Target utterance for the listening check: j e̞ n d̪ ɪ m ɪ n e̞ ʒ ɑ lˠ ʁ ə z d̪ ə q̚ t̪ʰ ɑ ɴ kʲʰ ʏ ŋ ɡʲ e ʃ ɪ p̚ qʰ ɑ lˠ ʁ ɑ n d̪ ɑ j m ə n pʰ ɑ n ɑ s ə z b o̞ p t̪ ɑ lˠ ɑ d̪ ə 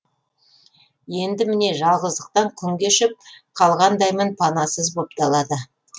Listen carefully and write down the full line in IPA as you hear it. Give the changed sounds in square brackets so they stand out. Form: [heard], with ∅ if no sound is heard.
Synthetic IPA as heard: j e̞ n d̪ ɪ m ɪ n e̞ ʒ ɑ lˠ ʁ ə z d̪ ə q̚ [t̪] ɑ ɴ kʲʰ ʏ ŋ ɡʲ e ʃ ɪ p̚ qʰ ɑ lˠ ʁ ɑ n d̪ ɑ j m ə n pʰ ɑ n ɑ s ə z b o̞ p t̪ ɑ lˠ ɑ d̪ ə